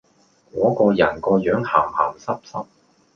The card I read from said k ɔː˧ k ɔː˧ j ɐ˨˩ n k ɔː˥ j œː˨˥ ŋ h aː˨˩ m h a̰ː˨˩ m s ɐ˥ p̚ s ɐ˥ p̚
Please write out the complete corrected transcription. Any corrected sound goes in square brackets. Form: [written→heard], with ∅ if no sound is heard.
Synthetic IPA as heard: k [ɔː˧→ɔː˨˥] k ɔː˧ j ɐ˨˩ n k [ɔː˥→ɔː˧] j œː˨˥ ŋ h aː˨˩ m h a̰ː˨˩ m s ɐ˥ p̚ s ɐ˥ p̚